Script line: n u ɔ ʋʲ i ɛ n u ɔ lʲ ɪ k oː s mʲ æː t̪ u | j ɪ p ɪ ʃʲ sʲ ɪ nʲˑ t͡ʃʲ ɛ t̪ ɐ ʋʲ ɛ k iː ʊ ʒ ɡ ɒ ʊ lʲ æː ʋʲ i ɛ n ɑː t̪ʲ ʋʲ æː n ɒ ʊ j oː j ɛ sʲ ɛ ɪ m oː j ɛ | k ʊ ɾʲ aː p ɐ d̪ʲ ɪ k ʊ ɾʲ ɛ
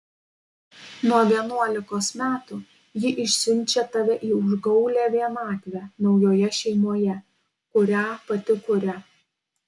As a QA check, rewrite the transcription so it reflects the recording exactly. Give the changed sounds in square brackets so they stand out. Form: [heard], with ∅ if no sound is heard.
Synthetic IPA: n u ɔ ʋʲ i ɛ n u ɔ lʲ ɪ k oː s mʲ æː t̪ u | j ɪ [ʔ] ɪ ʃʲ sʲ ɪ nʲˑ t͡ʃʲ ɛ t̪ ɐ ʋʲ ɛ [ʔ] iː ʊ ʒ ɡ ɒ ʊ lʲ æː ʋʲ i ɛ n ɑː t̪ʲ ʋʲ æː n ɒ ʊ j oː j ɛ [ʃʲ] ɛ ɪ m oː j ɛ | k ʊ ɾʲ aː p ɐ [t̪ʲ] ɪ k ʊ ɾʲ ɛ

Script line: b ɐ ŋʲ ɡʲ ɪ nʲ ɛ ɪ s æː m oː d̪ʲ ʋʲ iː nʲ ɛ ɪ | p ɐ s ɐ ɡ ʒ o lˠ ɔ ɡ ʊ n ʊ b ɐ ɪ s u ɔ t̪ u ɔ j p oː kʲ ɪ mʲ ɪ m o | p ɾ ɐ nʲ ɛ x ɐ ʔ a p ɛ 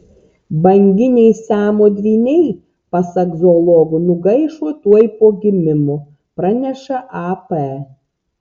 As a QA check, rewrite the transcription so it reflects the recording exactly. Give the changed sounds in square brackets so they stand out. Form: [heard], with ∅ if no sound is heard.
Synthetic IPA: b ɐ ŋʲ ɡʲ ɪ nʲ ɛ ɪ s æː m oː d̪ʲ ʋʲ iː nʲ ɛ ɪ | p ɐ s ɐ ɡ [z] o lˠ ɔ ɡ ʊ n ʊ [ɡ] ɐ ɪ [ʃ] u ɔ t̪ u ɔ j p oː [ɡʲ] ɪ mʲ ɪ m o | p ɾ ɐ nʲ ɛ [ʃ] ɐ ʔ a p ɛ

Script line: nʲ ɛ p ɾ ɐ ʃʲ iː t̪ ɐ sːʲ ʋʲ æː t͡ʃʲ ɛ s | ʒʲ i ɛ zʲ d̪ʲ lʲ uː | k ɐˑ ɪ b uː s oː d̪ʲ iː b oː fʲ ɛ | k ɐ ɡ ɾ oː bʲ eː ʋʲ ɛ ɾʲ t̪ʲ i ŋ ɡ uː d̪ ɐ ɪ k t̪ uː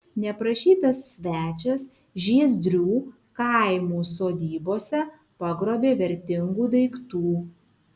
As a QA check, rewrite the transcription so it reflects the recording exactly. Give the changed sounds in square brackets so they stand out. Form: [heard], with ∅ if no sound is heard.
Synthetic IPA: nʲ ɛ p ɾ ɐ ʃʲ iː t̪ ɐ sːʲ ʋʲ æː t͡ʃʲ ɛ s | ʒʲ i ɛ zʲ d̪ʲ [ɾʲ] uː | k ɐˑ ɪ [m] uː s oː d̪ʲ iː b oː [sʲ] ɛ | [p] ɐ ɡ ɾ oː bʲ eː ʋʲ ɛ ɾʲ t̪ʲ [ɪ] ŋ ɡ uː d̪ ɐ ɪ k t̪ uː

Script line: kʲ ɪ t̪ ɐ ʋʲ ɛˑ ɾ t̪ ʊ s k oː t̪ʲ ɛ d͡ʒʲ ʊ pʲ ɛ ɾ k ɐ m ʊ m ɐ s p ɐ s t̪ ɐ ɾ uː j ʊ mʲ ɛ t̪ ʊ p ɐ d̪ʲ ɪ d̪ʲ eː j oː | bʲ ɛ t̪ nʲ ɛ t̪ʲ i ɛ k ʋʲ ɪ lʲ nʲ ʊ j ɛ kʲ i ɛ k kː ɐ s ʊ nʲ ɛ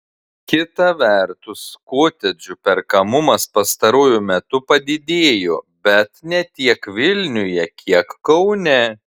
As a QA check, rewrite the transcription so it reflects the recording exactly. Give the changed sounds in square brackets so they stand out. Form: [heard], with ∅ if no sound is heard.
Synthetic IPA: kʲ ɪ t̪ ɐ ʋʲ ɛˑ ɾ t̪ ʊ s k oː t̪ʲ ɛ d͡ʒʲ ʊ pʲ ɛ ɾ k ɐ m ʊ m ɐ s p ɐ s t̪ ɐ ɾ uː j ʊ mʲ ɛ t̪ ʊ p ɐ d̪ʲ ɪ d̪ʲ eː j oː | bʲ ɛ t̪ nʲ ɛ t̪ʲ i ɛ k ʋʲ ɪ lʲ nʲ ʊ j ɛ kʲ i ɛ k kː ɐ [∅] ʊ nʲ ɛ

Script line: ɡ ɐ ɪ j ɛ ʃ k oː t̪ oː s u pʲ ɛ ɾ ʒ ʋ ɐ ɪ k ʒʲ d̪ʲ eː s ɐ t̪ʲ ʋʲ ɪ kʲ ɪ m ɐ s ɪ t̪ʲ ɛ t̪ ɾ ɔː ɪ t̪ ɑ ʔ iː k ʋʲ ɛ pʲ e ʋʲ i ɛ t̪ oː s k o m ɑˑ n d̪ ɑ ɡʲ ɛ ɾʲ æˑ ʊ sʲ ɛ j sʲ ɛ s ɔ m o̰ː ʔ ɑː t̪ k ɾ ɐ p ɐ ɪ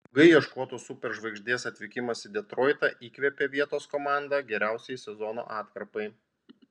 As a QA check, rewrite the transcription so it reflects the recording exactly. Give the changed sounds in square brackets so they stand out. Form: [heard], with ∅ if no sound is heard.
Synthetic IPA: ɡ ɐ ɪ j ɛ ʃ k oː t̪ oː s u pʲ ɛ ɾ ʒ ʋ ɐ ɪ [ɡ] ʒʲ d̪ʲ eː s ɐ t̪ʲ ʋʲ ɪ kʲ ɪ m ɐ s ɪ [d̪ʲ] ɛ t̪ ɾ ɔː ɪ t̪ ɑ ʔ iː k ʋʲ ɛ pʲ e ʋʲ i ɛ t̪ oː s k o m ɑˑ n d̪ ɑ ɡʲ ɛ ɾʲ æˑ ʊ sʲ ɛ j sʲ ɛ [z] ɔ [n] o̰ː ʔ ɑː t̪ k ɾ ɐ p ɐ ɪ

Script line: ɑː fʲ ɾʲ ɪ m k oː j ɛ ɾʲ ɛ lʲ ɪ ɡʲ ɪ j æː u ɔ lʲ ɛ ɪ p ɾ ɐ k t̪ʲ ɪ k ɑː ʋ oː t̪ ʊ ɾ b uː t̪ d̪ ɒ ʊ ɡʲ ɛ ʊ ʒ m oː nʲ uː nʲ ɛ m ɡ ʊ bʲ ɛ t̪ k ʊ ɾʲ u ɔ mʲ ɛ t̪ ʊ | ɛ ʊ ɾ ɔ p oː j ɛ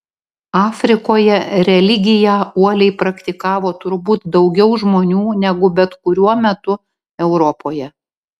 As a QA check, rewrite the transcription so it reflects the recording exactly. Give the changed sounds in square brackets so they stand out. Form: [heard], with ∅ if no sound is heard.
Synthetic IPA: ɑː fʲ ɾʲ ɪ [∅] k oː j ɛ ɾʲ ɛ lʲ ɪ ɡʲ ɪ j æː u ɔ lʲ ɛ ɪ p ɾ ɐ k t̪ʲ ɪ k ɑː ʋ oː t̪ ʊ ɾ b uː t̪ d̪ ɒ ʊ ɡʲ ɛ ʊ ʒ m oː nʲ uː nʲ ɛ [∅] ɡ ʊ bʲ ɛ t̪ k ʊ ɾʲ u ɔ mʲ ɛ t̪ ʊ | ɛ ʊ ɾ ɔ p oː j ɛ

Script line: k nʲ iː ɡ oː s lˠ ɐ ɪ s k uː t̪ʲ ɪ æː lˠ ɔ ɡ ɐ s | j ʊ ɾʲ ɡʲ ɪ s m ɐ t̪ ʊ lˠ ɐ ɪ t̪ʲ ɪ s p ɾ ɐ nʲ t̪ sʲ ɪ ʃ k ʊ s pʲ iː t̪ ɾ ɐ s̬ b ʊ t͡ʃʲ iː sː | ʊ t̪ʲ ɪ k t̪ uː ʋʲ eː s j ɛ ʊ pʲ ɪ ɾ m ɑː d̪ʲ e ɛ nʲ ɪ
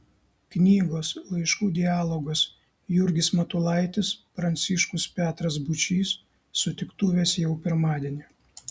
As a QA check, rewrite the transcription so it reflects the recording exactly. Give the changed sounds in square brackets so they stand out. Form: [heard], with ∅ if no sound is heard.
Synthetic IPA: k nʲ iː ɡ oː s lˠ ɐ ɪ [ʃ] k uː [d̪ʲ] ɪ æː lˠ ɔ ɡ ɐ s | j ʊ ɾʲ ɡʲ ɪ s m ɐ t̪ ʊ lˠ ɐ ɪ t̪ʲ ɪ s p ɾ ɐ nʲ t̪ sʲ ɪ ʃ k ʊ s pʲ [æː] t̪ ɾ ɐ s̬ b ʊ t͡ʃʲ iː sː | ʊ t̪ʲ ɪ k t̪ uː ʋʲ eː s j ɛ ʊ pʲ ɪ ɾ m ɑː d̪ʲ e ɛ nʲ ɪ

